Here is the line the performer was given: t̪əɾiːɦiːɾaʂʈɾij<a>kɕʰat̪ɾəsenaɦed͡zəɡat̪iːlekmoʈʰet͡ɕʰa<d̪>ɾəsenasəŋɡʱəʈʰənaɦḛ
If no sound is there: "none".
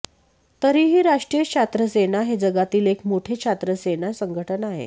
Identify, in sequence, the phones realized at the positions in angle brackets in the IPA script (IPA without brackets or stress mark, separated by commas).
ə, t̪